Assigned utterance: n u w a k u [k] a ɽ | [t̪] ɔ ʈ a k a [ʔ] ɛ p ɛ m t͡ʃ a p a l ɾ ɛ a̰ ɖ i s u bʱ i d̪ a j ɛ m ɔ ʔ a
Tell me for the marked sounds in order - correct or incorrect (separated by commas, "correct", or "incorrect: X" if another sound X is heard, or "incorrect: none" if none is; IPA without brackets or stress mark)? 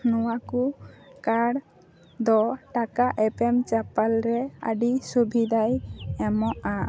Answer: correct, incorrect: d̪, correct